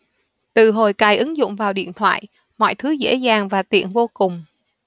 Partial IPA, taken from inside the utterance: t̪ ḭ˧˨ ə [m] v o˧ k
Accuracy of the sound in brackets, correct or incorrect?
incorrect